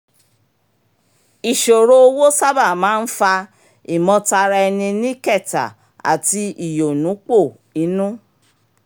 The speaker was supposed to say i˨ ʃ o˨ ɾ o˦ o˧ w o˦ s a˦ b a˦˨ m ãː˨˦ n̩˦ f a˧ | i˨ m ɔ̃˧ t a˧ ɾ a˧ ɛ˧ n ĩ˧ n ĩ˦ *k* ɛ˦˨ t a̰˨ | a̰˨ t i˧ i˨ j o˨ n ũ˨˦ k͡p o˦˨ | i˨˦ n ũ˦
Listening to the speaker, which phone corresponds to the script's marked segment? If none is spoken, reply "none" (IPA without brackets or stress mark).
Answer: k